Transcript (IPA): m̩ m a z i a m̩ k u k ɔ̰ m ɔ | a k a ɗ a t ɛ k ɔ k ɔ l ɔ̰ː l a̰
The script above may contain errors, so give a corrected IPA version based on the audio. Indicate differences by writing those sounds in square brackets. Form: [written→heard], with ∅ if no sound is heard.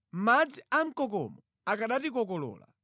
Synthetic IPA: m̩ m a [z→d͡z] i a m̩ k [u→ɔ] k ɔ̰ m ɔ | a k a ɗ a t [ɛ→i] k ɔ k ɔ l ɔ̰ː l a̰